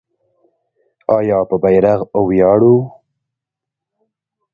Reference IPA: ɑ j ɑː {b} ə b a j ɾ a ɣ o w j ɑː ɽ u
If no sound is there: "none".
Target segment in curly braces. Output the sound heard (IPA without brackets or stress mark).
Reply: p